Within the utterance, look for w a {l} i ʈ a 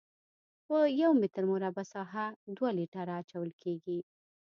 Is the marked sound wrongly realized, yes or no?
no